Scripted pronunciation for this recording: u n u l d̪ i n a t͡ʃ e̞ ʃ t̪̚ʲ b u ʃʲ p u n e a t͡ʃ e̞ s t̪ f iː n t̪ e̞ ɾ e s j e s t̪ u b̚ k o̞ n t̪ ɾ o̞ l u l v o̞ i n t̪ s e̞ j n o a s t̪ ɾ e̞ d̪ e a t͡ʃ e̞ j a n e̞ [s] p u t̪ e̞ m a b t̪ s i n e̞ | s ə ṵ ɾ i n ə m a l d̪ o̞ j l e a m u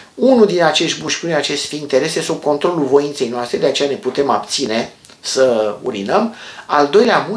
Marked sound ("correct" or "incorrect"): incorrect